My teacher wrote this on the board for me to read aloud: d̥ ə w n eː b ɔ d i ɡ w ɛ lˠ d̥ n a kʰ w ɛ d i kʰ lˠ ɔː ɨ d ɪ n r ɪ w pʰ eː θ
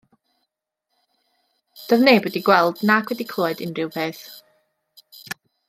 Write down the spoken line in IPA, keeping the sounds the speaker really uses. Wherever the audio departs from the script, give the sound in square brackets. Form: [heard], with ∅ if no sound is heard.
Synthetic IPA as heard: d̥ ə [v] n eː b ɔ d i ɡ w ɛ lˠ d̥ n a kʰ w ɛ d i kʰ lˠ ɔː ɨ d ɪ n r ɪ w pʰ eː θ